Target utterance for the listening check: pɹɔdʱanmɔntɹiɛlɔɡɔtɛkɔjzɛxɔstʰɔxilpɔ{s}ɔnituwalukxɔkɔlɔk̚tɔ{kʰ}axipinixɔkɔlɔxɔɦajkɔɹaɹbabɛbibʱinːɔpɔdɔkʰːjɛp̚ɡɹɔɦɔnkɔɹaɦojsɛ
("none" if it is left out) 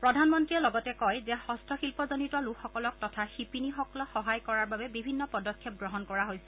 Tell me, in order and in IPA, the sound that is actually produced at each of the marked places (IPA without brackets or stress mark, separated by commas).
z, tʰ